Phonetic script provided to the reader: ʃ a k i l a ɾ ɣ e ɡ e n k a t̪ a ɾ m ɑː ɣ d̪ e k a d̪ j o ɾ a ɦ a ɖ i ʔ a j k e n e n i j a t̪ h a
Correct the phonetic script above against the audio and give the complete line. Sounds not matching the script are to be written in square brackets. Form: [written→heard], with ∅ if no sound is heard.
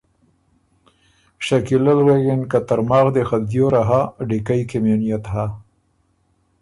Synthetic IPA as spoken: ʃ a k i l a [ɾ→l] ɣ e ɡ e n k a t̪ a ɾ m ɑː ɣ d̪ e [k→x] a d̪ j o ɾ a ɦ a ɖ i [ʔ→k] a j k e [n→m] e n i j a t̪ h a